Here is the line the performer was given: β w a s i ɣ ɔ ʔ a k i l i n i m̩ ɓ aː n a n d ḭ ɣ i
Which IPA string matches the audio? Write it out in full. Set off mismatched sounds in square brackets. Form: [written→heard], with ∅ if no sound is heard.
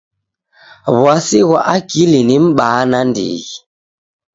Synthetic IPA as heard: β w a s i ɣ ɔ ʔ a k i l i n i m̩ ɓ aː n a n d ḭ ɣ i